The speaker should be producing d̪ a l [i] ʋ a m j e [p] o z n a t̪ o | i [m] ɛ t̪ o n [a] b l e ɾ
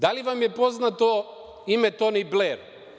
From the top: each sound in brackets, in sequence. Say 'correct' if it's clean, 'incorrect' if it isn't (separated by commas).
correct, correct, correct, incorrect